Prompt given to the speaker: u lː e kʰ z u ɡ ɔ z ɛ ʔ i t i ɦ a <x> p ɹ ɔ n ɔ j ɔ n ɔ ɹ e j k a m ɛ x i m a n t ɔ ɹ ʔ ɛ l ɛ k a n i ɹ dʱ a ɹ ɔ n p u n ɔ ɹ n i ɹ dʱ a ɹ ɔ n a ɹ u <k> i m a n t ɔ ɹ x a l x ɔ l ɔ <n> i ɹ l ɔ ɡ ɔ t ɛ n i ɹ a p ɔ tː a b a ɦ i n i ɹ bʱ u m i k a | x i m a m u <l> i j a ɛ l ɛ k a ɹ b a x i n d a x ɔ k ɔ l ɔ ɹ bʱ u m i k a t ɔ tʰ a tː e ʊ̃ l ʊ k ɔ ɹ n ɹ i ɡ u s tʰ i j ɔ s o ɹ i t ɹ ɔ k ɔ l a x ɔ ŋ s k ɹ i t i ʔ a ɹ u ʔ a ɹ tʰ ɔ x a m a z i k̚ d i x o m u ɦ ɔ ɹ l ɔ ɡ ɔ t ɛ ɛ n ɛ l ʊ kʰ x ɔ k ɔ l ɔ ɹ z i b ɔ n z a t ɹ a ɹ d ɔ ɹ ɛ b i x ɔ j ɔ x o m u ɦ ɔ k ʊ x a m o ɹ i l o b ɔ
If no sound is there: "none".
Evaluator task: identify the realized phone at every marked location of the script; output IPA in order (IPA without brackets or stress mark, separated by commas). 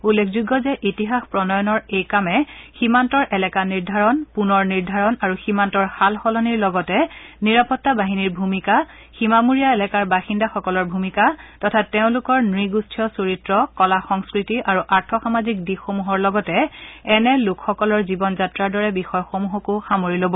x, x, n, ɹ